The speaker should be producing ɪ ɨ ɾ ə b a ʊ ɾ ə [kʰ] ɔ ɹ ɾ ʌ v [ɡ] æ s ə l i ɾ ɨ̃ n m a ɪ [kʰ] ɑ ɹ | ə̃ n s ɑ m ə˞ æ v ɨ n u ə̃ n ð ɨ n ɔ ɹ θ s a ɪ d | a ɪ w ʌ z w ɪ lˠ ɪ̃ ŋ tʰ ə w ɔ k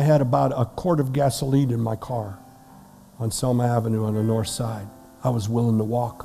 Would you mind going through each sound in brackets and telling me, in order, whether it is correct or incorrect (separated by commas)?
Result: correct, correct, correct